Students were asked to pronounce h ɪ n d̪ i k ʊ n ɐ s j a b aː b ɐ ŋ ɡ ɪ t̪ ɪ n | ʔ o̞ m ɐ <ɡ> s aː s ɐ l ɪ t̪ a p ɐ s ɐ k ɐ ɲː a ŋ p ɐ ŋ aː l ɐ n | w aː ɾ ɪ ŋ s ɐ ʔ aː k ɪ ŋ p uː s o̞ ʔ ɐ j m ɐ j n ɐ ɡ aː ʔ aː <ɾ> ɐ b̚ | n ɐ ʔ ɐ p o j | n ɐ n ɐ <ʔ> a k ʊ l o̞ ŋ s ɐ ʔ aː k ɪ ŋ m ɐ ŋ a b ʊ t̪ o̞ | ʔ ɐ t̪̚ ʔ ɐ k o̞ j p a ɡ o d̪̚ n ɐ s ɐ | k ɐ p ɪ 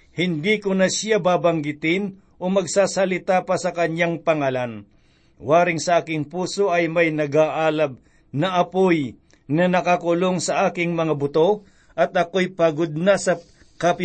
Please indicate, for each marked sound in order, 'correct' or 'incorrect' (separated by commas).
correct, incorrect, incorrect